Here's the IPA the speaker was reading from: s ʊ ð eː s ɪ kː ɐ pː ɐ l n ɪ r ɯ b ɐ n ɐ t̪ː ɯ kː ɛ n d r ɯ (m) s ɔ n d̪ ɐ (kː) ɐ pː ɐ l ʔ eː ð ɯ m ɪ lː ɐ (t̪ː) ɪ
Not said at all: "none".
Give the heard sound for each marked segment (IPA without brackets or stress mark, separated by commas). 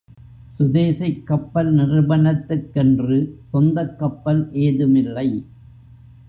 none, kː, none